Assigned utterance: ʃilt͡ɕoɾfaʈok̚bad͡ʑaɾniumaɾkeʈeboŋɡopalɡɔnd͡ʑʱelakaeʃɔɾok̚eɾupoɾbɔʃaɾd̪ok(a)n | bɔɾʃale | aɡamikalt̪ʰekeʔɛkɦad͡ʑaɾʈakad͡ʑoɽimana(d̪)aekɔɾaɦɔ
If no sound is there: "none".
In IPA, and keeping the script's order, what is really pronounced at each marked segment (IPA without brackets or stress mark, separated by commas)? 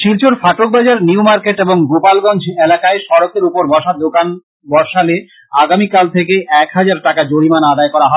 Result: a, d̪